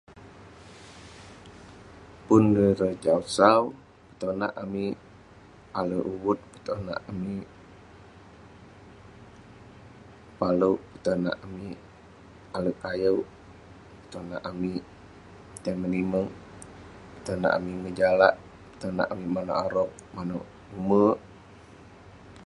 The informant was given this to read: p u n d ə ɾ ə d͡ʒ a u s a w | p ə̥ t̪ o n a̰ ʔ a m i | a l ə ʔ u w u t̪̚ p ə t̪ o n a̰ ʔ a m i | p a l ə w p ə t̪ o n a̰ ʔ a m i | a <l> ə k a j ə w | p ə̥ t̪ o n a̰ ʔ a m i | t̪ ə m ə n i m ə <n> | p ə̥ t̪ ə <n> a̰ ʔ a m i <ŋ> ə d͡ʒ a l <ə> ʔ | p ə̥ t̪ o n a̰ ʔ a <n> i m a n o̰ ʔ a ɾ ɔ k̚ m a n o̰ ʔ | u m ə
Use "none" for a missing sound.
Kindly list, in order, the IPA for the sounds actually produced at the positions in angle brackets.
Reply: l, ŋ, n, ŋ, a, m

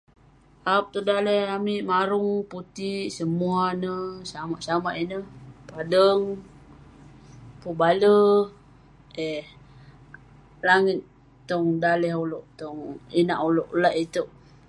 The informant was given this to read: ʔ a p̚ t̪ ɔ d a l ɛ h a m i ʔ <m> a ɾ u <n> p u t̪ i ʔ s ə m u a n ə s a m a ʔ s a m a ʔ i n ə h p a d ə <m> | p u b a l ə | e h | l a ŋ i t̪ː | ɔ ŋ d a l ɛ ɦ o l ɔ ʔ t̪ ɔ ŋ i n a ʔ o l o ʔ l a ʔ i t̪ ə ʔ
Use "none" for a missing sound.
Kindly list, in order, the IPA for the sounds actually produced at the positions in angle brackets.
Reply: m, ŋ, ŋ

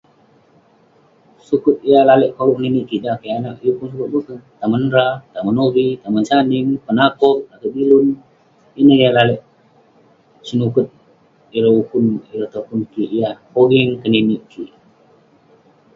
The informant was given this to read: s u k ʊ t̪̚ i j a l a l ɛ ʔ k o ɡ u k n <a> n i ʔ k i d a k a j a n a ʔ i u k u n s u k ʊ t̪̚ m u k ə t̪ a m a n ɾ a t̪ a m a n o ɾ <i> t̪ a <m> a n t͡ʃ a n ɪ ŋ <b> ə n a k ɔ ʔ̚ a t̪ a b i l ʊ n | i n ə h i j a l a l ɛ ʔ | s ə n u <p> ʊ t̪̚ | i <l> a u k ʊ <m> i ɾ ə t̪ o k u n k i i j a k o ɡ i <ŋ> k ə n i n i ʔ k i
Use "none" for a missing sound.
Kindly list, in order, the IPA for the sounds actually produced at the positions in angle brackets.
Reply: i, i, m, p, k, ɾ, n, ŋ

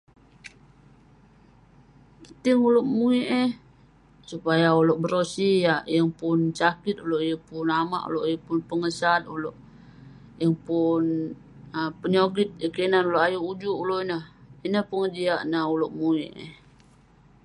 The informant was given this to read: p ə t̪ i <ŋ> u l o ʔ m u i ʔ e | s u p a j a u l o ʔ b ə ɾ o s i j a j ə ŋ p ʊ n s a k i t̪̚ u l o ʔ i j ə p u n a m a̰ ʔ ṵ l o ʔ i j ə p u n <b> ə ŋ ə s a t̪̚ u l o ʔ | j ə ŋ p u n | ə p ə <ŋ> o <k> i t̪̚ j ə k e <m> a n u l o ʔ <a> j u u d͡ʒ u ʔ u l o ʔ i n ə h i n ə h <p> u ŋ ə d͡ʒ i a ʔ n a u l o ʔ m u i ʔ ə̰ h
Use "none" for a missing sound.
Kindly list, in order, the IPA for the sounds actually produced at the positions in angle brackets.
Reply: ŋ, p, ɲ, ɡ, n, a, p

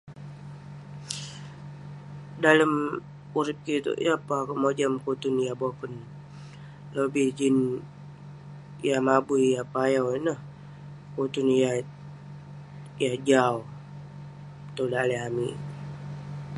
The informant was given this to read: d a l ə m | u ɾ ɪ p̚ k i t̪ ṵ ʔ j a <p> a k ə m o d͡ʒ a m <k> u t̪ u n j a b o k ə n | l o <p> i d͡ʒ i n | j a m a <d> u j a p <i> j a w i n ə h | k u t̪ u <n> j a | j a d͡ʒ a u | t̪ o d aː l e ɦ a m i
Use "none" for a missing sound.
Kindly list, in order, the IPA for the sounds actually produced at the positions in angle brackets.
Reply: p, k, b, b, a, n

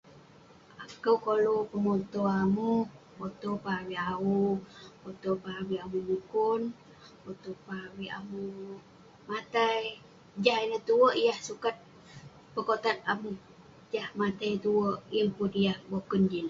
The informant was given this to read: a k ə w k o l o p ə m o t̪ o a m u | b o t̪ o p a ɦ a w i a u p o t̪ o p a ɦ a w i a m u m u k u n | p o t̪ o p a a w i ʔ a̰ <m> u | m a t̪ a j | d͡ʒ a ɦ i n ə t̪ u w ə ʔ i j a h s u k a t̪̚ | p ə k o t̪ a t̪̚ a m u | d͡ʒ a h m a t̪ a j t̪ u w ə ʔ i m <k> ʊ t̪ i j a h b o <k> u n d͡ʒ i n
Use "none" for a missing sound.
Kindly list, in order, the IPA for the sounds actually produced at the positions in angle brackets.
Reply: m, p, k

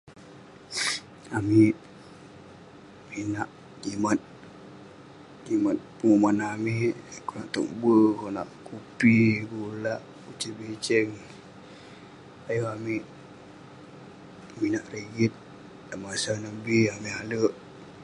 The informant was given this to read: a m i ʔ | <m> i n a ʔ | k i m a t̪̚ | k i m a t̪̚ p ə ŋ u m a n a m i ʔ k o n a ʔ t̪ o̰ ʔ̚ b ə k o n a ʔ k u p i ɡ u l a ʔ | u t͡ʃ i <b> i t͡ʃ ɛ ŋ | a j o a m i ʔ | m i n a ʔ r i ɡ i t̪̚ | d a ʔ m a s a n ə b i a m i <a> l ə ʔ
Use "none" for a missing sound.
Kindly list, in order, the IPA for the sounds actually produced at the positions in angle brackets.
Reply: m, b, a

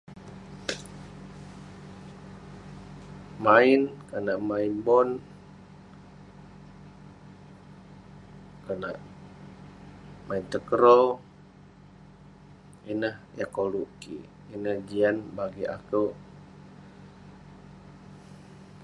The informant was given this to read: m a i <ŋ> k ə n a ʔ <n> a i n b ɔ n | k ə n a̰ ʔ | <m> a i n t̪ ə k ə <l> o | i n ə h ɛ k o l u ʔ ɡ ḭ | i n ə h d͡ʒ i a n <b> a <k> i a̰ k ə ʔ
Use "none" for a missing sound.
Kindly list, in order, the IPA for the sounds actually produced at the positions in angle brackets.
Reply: n, m, m, ɾ, b, ɡ

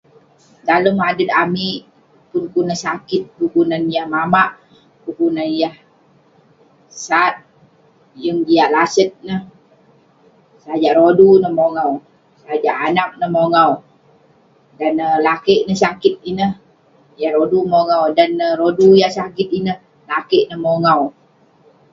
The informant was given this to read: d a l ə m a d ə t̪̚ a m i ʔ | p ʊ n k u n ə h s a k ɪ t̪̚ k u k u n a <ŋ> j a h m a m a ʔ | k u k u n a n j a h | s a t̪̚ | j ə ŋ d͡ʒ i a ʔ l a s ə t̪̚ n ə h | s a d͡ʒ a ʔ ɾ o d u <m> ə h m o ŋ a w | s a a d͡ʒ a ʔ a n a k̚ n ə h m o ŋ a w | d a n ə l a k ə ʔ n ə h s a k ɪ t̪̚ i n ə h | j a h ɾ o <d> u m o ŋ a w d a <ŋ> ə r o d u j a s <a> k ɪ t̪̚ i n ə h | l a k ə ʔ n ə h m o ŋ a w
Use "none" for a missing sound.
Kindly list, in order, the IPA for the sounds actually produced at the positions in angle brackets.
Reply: n, n, d, n, a

